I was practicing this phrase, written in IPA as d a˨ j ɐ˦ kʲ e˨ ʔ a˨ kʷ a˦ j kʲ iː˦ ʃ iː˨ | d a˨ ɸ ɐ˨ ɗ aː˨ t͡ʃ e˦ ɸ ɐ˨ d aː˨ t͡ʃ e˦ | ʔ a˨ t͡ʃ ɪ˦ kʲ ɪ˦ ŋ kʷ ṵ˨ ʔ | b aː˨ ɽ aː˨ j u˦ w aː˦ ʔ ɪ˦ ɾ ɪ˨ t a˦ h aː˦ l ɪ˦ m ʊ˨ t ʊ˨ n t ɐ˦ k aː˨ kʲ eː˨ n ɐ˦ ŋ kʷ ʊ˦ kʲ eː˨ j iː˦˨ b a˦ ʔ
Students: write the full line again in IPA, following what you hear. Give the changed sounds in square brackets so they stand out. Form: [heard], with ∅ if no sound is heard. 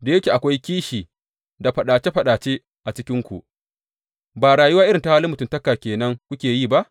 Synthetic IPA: d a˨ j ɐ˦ kʲ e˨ ʔ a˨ kʷ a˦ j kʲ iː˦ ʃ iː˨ | d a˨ ɸ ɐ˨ ɗ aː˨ t͡ʃ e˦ ɸ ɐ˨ [ɗ] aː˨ t͡ʃ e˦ | ʔ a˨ t͡ʃ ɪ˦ kʲ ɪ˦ ŋ kʷ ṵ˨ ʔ | b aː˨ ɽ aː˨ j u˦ w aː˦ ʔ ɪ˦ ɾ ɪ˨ t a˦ h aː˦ l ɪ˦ m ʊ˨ t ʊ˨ n t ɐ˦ k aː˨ kʲ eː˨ n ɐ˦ ŋ kʷ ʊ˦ kʲ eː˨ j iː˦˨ b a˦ ʔ